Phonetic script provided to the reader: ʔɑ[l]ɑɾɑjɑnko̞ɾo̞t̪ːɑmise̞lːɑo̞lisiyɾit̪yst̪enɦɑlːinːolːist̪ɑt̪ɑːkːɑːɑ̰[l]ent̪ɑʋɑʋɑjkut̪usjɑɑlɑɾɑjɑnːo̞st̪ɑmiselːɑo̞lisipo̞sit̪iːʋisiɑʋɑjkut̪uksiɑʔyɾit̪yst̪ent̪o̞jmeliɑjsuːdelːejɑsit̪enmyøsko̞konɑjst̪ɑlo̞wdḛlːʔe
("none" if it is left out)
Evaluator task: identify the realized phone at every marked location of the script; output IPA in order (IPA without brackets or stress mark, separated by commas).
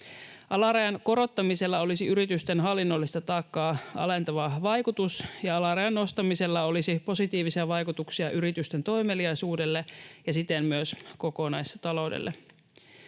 l, l